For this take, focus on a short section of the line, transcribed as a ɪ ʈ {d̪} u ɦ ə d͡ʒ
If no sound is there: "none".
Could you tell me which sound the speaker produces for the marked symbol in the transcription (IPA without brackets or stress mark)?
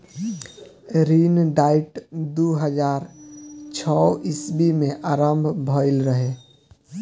d̪